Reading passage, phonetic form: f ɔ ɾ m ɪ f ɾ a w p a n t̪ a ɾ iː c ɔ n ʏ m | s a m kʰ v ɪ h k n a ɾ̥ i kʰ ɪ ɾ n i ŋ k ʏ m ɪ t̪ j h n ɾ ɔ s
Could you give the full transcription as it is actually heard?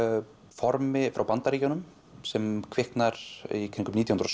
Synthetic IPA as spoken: f ɔ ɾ m ɪ f ɾ a w p a n t̪ a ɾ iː c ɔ n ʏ m | s ɛ m kʰ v ɪ h k n a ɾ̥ i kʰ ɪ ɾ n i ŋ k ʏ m i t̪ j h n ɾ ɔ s